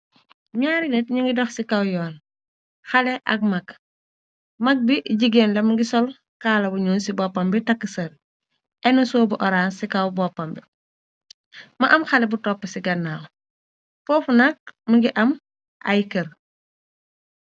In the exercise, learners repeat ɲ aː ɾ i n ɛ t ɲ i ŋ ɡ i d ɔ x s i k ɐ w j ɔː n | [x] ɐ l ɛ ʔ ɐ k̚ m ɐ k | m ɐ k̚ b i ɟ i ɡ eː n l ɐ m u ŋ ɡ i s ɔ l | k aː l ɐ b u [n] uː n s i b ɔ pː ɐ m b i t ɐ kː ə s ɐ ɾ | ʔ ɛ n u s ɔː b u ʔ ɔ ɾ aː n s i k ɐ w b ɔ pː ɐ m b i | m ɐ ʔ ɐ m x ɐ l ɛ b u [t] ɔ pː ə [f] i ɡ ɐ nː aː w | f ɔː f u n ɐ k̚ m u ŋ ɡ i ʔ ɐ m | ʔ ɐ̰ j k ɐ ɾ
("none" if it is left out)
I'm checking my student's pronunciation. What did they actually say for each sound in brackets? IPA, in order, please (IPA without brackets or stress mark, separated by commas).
x, ɲ, t, s